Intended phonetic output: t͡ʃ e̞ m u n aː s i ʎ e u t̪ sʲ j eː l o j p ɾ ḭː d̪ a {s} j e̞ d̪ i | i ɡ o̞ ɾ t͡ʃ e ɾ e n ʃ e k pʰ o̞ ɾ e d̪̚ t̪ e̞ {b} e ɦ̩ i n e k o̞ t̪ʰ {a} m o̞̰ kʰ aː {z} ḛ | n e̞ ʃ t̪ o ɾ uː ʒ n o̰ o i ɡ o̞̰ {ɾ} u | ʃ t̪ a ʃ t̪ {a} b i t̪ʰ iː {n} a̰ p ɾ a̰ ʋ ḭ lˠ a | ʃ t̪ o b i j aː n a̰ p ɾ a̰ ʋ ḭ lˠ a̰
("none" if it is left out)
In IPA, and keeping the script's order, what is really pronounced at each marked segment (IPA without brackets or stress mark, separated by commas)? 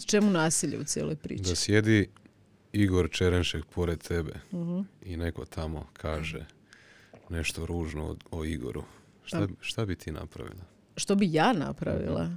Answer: s, b, a, ʒ, ɾ, a, n